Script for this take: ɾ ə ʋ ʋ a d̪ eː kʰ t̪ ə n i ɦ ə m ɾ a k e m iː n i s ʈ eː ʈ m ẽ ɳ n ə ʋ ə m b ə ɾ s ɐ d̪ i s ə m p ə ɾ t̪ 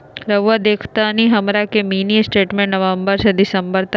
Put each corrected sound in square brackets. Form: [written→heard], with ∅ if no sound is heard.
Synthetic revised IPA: ɾ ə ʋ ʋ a d̪ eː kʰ t̪ [ə→a] n i ɦ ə m ɾ a k e m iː n i s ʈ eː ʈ m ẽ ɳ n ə ʋ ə m b ə ɾ s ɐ d̪ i s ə m [p→b] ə ɾ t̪

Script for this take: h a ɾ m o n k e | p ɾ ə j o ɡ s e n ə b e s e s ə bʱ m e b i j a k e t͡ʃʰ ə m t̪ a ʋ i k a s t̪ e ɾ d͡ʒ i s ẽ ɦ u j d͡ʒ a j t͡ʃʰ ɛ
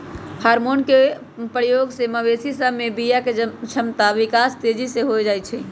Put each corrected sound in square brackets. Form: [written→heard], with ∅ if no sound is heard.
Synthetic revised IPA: h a ɾ m o n k e | p ɾ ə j o ɡ s e [n→m] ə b e s [e→i] s ə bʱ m e b i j a k e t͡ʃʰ ə m t̪ a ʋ i k a s t̪ e [ɾ→∅] d͡ʒ i s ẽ ɦ [u→o] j d͡ʒ a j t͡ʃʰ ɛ

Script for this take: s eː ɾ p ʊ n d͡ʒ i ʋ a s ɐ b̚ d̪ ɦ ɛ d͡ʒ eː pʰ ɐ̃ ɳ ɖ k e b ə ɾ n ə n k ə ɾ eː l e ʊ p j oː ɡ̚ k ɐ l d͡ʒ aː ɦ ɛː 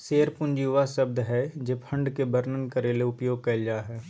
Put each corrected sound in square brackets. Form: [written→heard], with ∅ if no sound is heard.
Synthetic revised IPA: s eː ɾ p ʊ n d͡ʒ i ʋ a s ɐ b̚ d̪ ɦ ɛ d͡ʒ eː pʰ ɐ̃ ɳ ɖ k e b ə ɾ n ə n k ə ɾ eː l e ʊ p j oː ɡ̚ k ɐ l d͡ʒ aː ɦ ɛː

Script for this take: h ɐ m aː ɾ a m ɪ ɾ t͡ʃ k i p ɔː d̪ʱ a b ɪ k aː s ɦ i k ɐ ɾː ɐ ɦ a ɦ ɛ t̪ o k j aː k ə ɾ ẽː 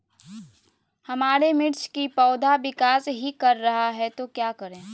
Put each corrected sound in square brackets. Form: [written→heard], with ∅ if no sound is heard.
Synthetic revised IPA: h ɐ m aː ɾ [a→e] m ɪ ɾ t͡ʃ k i p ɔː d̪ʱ a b ɪ k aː s ɦ i k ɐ ɾː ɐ ɦ a ɦ ɛ t̪ o k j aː k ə ɾ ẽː

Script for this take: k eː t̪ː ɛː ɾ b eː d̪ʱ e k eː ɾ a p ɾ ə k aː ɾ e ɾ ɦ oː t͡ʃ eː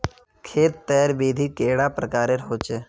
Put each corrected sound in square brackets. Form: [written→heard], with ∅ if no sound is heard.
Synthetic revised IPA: [k→kʰ] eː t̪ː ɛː ɾ b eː d̪ʱ [e→i] k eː [ɾ→ɽ] a p ɾ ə k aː ɾ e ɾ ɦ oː t͡ʃ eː

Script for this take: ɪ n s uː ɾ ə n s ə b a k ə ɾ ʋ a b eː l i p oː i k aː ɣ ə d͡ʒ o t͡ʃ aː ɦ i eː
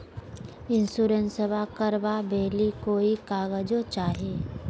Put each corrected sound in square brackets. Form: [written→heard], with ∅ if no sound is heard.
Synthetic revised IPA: ɪ n s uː ɾ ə n s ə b a k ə ɾ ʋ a b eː l i [p→k] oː i k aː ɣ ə d͡ʒ o t͡ʃ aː ɦ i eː

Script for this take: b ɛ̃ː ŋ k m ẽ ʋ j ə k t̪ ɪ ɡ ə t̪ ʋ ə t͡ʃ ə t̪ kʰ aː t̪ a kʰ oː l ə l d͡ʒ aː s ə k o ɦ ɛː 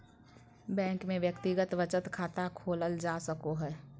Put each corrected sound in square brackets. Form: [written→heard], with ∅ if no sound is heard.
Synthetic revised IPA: b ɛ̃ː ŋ k m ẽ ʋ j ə k t̪ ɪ ɡ ə t̪ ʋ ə t͡ʃ ə t̪ kʰ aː t̪ a kʰ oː l ə l d͡ʒ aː s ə k o ɦ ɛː

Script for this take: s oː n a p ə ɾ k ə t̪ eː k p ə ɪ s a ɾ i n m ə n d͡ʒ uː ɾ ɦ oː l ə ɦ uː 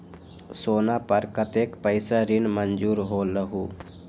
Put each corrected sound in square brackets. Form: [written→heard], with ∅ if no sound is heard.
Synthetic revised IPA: s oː n a p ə ɾ k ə t̪ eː k p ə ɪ s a ɾ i n m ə n d͡ʒ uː ɾ ɦ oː l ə ɦ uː

